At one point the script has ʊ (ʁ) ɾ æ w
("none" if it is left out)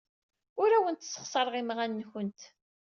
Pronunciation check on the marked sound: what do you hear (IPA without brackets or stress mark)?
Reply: none